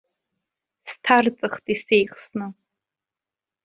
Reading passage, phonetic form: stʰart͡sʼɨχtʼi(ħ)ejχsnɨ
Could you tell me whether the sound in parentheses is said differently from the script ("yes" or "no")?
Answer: yes